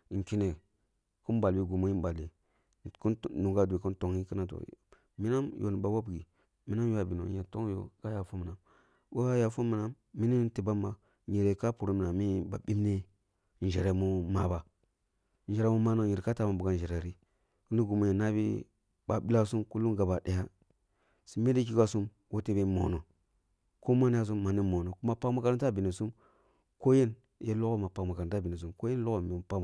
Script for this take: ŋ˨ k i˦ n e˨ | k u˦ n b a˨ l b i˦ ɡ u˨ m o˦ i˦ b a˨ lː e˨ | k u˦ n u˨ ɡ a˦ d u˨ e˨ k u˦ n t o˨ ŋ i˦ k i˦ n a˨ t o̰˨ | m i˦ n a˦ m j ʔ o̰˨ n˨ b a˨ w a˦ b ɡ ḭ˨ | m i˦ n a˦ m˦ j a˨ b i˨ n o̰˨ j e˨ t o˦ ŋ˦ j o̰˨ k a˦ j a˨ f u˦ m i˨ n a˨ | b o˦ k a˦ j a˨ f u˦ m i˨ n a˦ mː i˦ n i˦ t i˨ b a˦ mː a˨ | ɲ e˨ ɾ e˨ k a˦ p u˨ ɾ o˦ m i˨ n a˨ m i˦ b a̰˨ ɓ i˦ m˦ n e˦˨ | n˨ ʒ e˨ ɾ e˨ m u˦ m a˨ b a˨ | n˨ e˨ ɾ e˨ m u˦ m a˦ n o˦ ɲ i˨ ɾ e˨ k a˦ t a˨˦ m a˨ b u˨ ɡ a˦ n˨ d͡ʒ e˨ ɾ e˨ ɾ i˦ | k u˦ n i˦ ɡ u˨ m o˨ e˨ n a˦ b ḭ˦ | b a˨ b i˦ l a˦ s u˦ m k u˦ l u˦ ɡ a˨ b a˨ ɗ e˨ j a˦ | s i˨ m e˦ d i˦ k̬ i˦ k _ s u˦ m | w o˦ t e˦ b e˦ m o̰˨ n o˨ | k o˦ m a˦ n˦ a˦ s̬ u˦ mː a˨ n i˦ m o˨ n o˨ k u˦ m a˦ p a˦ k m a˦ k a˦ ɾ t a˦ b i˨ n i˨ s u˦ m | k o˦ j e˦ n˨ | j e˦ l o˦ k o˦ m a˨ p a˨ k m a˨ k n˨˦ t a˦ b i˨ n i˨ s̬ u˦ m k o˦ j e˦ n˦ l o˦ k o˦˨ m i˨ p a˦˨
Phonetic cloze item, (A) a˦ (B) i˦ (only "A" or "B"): A